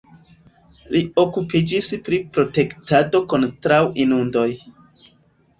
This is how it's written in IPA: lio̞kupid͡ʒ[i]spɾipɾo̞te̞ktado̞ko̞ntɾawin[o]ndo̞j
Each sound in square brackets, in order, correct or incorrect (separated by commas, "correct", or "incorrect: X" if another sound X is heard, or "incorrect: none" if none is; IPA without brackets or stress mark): correct, incorrect: u